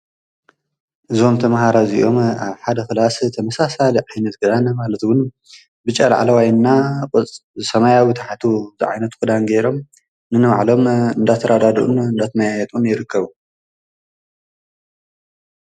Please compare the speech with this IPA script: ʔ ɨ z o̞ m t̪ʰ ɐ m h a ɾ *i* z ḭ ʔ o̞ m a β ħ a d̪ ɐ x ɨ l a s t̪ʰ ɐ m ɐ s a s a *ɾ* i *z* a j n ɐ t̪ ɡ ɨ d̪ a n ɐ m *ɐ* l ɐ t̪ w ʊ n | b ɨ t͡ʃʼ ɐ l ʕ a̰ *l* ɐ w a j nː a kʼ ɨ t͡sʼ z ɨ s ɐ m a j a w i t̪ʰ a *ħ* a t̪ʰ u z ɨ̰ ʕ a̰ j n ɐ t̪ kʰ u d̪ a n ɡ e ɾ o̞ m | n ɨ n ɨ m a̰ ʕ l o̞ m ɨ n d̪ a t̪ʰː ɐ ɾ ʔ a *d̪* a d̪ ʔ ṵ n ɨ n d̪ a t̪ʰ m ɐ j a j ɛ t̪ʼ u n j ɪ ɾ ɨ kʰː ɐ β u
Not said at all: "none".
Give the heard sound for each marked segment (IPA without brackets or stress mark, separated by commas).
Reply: a, l, ʕ, a, l, ħ, d̪